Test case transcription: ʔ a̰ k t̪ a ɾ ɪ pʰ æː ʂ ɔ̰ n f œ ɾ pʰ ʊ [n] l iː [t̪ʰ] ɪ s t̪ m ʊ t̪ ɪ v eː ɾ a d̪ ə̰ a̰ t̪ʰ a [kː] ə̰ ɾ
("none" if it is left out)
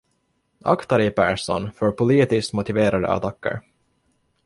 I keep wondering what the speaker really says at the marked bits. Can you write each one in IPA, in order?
none, t̪, kː

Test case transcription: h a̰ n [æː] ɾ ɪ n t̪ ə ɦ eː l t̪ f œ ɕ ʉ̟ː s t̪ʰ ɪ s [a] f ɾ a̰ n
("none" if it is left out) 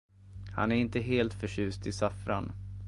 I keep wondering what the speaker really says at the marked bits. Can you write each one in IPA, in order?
æ, a

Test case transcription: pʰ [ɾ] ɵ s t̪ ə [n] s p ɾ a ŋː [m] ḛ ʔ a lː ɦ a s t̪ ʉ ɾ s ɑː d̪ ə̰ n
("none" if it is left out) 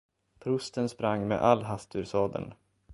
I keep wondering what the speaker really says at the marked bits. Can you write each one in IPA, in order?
ɾ, n, m

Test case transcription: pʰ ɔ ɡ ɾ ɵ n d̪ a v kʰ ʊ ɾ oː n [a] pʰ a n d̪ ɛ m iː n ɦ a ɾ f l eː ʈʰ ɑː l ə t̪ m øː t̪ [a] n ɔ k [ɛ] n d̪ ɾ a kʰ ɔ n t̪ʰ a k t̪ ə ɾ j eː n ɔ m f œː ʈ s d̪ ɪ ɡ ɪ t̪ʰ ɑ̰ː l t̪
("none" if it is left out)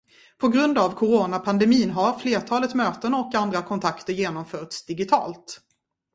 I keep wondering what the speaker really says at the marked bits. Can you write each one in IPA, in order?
a, ə, a

